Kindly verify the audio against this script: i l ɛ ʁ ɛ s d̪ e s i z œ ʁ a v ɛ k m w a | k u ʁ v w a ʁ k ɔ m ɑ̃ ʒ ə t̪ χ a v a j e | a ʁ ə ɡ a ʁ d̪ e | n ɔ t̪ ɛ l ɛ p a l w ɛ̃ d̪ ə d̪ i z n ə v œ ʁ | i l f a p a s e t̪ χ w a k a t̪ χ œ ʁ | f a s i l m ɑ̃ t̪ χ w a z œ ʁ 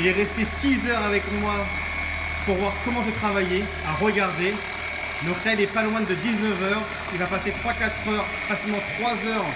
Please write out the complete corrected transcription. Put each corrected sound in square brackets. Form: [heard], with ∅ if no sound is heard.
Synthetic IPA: i l ɛ ʁ ɛ s [t̪] e s i z œ ʁ a v ɛ k m w a | [p] u ʁ v w a ʁ k ɔ m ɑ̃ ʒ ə t̪ χ a v a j e | a ʁ ə ɡ a ʁ d̪ e | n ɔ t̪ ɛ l ɛ p a l w ɛ̃ d̪ ə d̪ i z n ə v œ ʁ | i l [v] a p a s e t̪ χ w a k a t̪ χ œ ʁ | f a s i l m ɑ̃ t̪ χ w a z œ ʁ